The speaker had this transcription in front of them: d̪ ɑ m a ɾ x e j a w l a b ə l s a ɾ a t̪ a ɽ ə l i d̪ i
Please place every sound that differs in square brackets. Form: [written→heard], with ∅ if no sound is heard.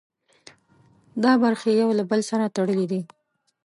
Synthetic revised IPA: d̪ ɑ [m→b] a ɾ x e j a w l a b ə l s a ɾ a t̪ a ɽ ə l i d̪ i